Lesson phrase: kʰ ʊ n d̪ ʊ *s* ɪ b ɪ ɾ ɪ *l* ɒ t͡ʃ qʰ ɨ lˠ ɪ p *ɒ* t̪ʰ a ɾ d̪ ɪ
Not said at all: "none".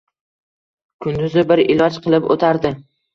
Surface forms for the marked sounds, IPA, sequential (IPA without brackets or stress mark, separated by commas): z, l, o